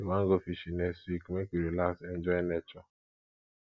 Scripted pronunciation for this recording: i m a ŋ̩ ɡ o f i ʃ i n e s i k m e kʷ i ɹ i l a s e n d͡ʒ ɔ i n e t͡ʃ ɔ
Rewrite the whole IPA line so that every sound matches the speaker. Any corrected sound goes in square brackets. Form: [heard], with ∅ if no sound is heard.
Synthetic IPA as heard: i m a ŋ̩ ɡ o f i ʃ i n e s i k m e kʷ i [ɾ] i l a s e n d͡ʒ ɔ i n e t͡ʃ ɔ